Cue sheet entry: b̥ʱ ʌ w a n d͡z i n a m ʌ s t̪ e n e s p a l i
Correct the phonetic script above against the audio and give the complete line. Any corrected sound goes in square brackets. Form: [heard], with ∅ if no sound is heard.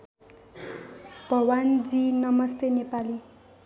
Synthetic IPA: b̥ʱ ʌ w a n d͡z i n [ʌ] m ʌ s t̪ e n e [∅] p a l i